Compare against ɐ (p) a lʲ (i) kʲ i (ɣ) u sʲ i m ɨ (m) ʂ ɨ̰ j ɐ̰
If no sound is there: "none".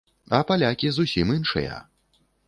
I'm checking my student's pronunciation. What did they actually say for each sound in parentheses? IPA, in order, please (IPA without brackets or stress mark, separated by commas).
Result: p, a, z, n